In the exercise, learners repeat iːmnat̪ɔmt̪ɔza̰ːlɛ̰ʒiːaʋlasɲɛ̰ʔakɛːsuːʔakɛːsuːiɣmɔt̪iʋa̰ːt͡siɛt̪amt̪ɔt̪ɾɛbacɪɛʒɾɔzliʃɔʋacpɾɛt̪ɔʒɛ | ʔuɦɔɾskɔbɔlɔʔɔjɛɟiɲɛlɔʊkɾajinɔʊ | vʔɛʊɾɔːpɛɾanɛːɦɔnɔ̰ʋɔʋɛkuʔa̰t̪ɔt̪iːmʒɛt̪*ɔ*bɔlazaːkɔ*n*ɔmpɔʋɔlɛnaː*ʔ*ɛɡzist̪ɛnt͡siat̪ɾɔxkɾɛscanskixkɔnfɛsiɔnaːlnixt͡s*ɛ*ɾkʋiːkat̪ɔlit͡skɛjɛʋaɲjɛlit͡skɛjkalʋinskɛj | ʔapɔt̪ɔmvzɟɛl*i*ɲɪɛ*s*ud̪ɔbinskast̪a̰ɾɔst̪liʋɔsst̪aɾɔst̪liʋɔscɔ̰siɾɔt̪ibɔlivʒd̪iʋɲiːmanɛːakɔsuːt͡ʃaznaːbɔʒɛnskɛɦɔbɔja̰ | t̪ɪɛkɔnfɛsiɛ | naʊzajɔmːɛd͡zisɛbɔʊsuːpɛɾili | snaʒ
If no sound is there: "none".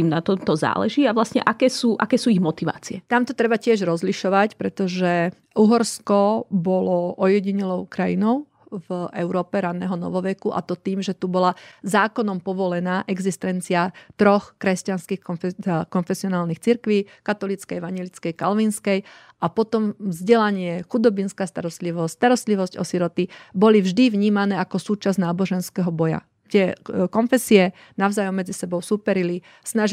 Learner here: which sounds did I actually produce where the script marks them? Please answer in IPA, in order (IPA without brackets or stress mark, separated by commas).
u, n, ʔ, i, a, x